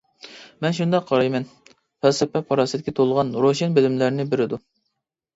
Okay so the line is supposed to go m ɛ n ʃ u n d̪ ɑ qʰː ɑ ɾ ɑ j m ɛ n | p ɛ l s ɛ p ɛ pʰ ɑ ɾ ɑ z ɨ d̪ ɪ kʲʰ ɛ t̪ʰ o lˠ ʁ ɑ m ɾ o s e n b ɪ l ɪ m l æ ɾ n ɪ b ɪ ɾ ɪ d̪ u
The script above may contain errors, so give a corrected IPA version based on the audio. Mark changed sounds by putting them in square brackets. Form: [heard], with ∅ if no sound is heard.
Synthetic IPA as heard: m ɛ n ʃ u n d̪ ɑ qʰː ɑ ɾ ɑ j m ɛ n | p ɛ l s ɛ p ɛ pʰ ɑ ɾ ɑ [s] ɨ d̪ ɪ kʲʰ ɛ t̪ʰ o lˠ ʁ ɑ [n] ɾ o [ʃ] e n b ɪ l ɪ m l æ ɾ n ɪ b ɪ ɾ ɪ d̪ u